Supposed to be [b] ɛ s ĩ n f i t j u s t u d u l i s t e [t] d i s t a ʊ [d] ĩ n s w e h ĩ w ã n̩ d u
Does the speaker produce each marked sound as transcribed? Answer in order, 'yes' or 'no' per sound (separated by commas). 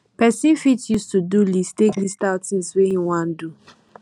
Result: no, no, no